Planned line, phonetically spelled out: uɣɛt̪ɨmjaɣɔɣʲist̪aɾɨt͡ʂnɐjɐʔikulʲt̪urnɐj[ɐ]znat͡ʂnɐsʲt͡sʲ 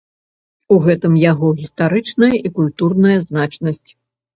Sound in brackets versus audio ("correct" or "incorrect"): correct